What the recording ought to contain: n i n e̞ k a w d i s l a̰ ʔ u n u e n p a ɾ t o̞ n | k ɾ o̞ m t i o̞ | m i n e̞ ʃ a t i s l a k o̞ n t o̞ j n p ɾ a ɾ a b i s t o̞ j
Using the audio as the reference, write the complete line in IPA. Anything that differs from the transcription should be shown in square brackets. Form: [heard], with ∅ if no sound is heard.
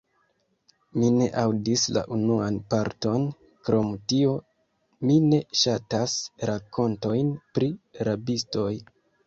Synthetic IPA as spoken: [m] i n e̞ [ʔ] a w d i s l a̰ ʔ u n u [a] n p a ɾ t o̞ n | k ɾ o̞ m t i o̞ | m i n e̞ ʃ a t [a] s [ɾ] a k o̞ n t o̞ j n p ɾ [i] ɾ a b i s t o̞ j